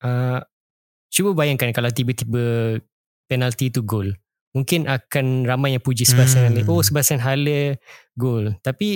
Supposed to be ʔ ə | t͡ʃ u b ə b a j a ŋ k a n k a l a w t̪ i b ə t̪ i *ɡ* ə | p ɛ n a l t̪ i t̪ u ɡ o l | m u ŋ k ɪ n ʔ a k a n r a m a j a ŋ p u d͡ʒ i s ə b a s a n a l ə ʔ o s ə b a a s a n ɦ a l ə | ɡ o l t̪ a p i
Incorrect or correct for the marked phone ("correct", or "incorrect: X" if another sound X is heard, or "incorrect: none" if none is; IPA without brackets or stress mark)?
incorrect: b